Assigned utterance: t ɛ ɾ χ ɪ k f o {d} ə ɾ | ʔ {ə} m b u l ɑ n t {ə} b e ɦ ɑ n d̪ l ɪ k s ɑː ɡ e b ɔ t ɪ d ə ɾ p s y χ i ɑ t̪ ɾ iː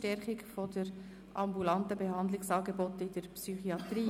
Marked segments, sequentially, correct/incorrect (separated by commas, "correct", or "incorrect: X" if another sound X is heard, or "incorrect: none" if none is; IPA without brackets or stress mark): correct, incorrect: ɑ, correct